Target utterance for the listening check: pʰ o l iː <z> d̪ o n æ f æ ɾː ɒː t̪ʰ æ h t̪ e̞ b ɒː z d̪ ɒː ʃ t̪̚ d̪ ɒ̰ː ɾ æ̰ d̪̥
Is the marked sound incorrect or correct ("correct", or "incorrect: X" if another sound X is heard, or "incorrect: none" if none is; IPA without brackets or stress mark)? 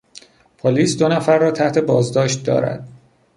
incorrect: s